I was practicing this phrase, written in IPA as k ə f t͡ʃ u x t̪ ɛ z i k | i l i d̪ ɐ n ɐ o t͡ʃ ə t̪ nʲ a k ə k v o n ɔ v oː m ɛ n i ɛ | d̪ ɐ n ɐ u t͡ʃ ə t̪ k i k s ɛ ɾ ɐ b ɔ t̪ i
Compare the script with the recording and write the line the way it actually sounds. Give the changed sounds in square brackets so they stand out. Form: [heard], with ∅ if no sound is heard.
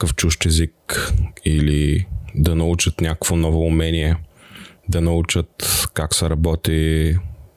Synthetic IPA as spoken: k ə f t͡ʃ u [ʃ] t̪ ɛ z i k | i l i d̪ ɐ n ɐ [u] t͡ʃ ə t̪ nʲ a k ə k v o n ɔ v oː m ɛ n i ɛ | d̪ ɐ n ɐ u t͡ʃ ə t̪ k [a] k s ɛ ɾ ɐ b ɔ t̪ i